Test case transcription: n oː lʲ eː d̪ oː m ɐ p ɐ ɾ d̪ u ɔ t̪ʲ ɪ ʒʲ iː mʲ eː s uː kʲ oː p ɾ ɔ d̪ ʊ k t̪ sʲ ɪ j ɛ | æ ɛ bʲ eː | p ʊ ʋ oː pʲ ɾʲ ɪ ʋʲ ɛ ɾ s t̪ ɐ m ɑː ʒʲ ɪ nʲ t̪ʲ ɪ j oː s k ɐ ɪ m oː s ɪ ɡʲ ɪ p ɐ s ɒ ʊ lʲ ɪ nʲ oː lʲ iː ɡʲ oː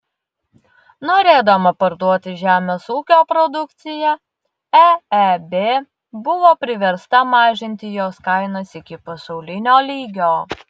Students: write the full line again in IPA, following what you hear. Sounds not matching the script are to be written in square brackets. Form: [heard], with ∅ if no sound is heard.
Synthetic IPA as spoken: n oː [ɾʲ] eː d̪ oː m ɐ p ɐ ɾ d̪ u ɔ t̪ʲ ɪ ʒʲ [æː] mʲ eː s uː kʲ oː p ɾ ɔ d̪ ʊ k t̪ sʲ ɪ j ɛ | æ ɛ bʲ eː | [b] ʊ ʋ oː pʲ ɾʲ ɪ ʋʲ ɛ ɾ s t̪ ɐ m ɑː ʒʲ ɪ nʲ t̪ʲ ɪ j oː s k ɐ ɪ [n] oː s ɪ [kʲ] ɪ p ɐ s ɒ ʊ lʲ ɪ nʲ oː lʲ iː ɡʲ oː